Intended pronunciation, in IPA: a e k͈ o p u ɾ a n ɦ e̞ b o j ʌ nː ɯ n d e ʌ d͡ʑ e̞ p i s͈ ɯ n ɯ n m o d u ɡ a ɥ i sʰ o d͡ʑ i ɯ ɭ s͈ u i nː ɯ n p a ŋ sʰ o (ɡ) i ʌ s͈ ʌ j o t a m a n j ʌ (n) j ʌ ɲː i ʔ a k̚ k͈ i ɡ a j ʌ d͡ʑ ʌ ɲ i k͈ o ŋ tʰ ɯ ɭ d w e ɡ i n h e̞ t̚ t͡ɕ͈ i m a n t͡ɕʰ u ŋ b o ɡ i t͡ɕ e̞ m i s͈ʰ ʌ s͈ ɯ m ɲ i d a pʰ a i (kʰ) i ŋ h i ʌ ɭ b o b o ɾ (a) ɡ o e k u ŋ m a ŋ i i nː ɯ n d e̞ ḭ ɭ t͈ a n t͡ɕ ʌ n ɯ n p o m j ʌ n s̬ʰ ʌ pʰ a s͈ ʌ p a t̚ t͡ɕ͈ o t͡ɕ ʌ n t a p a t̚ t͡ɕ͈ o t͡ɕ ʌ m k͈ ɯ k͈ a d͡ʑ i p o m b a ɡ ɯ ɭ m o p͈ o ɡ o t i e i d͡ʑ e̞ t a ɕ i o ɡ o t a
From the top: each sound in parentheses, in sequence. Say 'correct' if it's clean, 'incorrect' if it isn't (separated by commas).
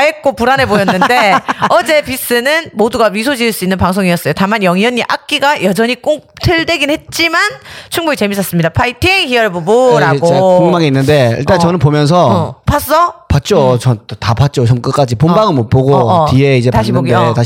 incorrect, incorrect, incorrect, correct